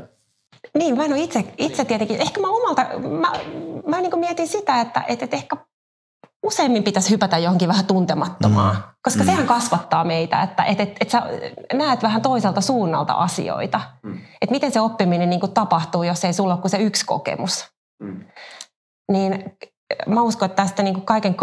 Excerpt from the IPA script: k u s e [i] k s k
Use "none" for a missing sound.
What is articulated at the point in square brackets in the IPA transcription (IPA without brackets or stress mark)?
y